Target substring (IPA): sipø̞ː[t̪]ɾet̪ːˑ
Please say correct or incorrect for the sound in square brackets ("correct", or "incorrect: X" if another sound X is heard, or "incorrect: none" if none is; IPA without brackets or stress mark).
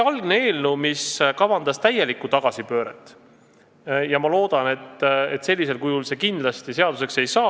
incorrect: none